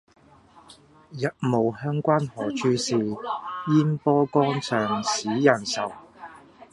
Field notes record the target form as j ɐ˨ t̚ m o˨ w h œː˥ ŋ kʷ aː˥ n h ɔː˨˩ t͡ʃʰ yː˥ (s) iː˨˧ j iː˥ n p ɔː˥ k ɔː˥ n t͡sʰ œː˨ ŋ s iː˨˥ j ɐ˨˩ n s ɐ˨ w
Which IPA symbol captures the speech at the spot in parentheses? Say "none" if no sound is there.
s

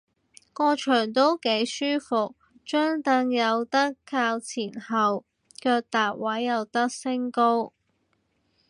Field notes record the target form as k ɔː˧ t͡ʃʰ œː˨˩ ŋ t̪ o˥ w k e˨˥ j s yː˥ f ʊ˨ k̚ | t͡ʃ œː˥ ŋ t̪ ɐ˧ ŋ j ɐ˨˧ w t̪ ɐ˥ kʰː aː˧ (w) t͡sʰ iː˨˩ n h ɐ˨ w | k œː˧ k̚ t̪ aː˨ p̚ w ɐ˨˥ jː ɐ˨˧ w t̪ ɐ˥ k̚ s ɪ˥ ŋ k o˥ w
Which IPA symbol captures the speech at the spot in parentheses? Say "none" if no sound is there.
w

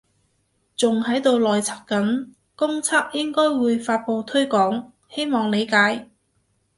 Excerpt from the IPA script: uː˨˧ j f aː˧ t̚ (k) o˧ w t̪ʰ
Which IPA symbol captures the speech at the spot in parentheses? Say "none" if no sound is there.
p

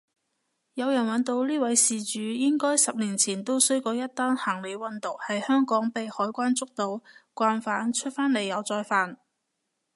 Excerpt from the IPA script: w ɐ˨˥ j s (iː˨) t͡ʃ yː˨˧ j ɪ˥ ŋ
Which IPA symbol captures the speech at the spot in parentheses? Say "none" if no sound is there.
iː˨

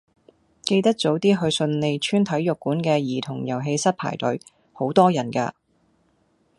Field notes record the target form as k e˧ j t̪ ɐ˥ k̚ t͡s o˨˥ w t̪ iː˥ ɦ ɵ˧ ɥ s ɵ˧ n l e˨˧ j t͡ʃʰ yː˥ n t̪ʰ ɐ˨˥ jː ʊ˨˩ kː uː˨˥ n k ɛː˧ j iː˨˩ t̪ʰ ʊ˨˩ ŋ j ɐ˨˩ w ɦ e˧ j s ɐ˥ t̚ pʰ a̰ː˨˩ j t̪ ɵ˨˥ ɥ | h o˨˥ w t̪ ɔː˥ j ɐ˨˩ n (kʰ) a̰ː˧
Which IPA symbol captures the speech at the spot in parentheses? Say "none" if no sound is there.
k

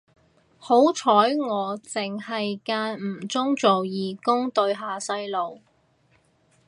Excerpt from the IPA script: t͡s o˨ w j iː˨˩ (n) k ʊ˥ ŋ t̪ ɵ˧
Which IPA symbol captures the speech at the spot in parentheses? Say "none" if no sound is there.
none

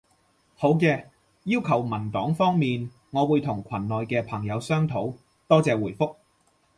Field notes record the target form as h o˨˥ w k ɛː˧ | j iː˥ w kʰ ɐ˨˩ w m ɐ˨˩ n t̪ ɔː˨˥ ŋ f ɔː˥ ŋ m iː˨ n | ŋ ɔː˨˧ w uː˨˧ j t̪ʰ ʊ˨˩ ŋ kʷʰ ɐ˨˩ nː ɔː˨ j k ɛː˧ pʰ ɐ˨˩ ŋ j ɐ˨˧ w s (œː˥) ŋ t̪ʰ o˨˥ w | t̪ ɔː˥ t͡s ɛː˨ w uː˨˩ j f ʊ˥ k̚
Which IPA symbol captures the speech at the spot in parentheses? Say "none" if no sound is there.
œː˥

